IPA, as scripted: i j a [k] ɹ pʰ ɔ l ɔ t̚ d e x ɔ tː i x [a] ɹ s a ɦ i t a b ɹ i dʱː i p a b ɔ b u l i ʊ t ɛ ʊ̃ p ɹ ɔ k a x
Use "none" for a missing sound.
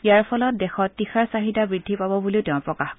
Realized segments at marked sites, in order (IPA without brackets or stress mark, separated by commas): none, a